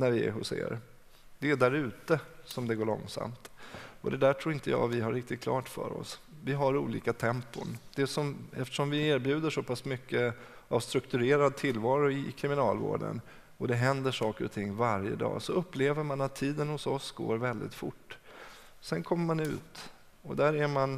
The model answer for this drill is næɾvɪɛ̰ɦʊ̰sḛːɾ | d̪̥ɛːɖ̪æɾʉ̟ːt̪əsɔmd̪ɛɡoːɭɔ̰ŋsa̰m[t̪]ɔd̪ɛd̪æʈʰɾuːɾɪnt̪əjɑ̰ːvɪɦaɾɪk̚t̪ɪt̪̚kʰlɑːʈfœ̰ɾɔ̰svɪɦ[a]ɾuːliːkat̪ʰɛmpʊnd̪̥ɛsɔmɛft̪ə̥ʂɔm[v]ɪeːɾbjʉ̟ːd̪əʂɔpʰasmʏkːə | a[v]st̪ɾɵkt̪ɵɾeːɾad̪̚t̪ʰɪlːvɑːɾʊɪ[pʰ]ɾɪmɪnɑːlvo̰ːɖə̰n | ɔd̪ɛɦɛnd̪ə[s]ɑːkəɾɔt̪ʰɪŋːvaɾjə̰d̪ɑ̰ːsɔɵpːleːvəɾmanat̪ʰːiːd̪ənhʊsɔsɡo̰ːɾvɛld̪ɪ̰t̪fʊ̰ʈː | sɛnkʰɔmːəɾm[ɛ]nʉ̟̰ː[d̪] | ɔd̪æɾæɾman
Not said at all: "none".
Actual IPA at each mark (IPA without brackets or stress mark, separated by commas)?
t̪, a, v, v, kʰ, ʂ, a, t̪